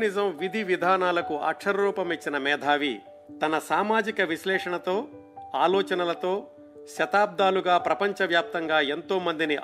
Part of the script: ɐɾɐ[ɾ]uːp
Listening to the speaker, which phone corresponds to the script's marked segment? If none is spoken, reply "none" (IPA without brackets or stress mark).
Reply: ɾ